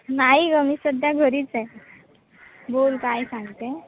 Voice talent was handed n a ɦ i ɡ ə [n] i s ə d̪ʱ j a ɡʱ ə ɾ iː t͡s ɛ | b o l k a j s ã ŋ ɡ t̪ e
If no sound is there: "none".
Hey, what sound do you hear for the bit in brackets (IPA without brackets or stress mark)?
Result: m